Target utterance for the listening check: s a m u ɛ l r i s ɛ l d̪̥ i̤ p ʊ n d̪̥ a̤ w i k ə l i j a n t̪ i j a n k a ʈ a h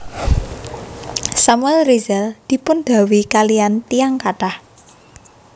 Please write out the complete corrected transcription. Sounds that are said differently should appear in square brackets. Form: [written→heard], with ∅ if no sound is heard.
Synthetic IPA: s a m u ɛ l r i [s→z] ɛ l d̪̥ i̤ p ʊ n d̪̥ a̤ w i k [ə→a] l i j a n t̪ i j a [n→ŋ] k a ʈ a h